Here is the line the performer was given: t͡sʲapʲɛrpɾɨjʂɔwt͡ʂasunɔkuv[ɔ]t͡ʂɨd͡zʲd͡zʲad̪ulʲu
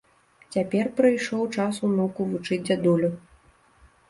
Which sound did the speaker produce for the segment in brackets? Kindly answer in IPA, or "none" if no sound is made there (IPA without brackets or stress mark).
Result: u